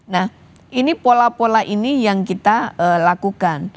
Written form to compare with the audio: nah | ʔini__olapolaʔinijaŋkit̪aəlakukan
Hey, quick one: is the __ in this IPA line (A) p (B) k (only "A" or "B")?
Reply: A